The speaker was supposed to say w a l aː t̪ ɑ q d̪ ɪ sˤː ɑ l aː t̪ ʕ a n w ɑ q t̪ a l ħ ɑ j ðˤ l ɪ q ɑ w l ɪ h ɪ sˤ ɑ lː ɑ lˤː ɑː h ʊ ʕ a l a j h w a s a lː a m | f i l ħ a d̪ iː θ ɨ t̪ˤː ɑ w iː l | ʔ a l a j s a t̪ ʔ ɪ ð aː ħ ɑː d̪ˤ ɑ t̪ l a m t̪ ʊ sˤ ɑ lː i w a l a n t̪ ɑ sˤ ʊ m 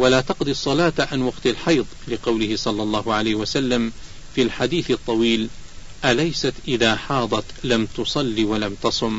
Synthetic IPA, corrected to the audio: w a l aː t̪ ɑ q d̪ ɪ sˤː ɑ l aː t̪ ʕ a n w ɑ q t̪ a l ħ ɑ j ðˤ l ɪ q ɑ w l ɪ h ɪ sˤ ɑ lː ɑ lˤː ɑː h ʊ ʕ a l a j h w a s a lː a m | f i l ħ a d̪ iː θ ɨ t̪ˤː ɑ w iː l | ʔ a l a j s a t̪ ʔ ɪ ð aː ħ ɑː d̪ˤ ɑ t̪ l a m t̪ ʊ sˤ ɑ lː i w a l a m t̪ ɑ sˤ ʊ m